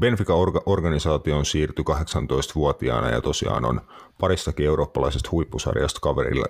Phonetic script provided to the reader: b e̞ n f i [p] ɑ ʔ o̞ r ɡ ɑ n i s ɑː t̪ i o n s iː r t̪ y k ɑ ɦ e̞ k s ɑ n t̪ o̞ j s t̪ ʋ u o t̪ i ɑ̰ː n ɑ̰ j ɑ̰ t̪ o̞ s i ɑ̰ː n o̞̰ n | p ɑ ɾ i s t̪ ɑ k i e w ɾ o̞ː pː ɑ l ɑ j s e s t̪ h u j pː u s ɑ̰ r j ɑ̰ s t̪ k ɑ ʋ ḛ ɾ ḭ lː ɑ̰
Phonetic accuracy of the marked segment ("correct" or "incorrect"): incorrect